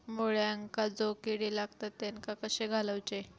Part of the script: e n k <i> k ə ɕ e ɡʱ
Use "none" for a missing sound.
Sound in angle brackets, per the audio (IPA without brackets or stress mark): a